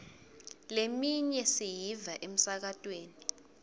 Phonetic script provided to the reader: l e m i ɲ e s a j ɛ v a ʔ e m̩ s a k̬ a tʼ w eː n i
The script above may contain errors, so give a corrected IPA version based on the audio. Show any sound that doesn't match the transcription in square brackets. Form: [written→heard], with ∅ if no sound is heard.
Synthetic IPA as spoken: l e m i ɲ [e→ɛ] s [a→i] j [ɛ→i] v a ʔ e m̩ s a k̬ a tʼ w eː n i